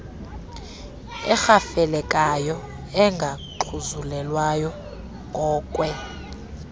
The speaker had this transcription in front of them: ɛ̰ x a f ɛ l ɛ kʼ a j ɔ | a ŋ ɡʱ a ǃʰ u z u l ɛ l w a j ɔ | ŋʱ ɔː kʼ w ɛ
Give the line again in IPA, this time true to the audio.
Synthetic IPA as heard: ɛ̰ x a f ɛ l ɛ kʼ a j ɔ | ɛ ŋ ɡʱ a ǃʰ u z u l ɛ l w a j ɔ | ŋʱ ɔː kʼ w ɛ